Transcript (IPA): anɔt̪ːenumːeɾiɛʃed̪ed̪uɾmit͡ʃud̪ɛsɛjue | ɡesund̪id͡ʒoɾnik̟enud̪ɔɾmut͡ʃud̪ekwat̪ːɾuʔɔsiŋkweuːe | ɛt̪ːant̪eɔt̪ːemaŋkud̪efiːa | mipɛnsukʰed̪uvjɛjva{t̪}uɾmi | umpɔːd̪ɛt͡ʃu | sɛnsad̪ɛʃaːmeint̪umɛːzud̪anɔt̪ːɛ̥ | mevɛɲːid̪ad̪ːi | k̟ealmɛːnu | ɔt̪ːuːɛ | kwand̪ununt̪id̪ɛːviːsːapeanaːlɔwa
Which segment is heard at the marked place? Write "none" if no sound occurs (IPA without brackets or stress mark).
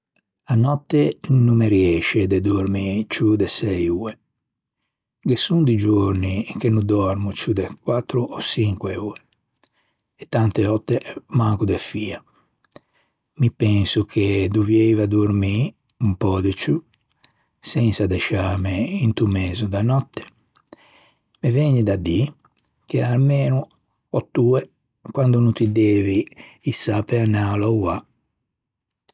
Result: d̪